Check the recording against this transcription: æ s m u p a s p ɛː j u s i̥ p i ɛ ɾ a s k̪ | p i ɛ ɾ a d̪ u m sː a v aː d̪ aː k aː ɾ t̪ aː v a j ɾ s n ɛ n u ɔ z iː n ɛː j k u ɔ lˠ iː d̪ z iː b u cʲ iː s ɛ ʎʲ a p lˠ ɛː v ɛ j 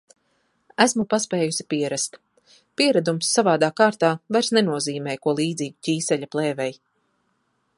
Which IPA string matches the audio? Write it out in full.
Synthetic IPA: æ s m u p a s p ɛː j u s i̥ p i ɛ ɾ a s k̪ | p i ɛ ɾ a d̪ u m sː a v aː d̪ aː k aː ɾ t̪ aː v a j ɾ s n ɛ n u ɔ z iː m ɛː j k u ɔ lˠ iː d̪ z iː ɡ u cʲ iː s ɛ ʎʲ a p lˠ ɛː v ɛ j